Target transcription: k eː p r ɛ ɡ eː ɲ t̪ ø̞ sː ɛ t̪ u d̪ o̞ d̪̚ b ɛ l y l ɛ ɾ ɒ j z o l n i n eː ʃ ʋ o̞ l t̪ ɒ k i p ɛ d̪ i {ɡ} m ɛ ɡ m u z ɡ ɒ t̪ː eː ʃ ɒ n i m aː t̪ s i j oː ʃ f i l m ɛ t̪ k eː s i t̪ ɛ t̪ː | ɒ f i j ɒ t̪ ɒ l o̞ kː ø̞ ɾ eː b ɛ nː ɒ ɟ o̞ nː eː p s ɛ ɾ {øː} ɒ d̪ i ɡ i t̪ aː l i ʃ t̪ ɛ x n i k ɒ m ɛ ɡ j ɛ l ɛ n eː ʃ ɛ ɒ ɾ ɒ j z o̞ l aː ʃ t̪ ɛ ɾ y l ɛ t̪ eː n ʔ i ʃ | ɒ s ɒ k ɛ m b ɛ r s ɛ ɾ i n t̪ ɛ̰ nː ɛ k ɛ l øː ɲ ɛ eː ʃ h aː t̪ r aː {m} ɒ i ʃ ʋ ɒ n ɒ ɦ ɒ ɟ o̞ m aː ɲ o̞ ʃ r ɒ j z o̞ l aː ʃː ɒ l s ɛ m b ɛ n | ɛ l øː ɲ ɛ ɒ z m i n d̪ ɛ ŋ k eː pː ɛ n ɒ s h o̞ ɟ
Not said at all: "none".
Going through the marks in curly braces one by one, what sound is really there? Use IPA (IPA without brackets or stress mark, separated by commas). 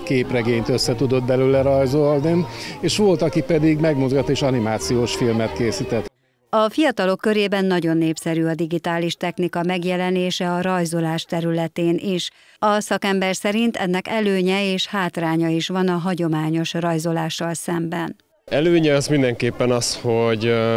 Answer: ɡ, yː, ɲ